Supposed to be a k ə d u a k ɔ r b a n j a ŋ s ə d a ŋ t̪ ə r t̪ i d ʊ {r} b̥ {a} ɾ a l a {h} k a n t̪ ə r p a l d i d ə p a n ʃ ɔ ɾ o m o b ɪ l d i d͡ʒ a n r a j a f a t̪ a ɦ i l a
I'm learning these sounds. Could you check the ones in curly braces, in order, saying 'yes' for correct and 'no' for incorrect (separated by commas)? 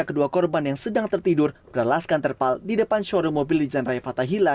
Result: yes, no, no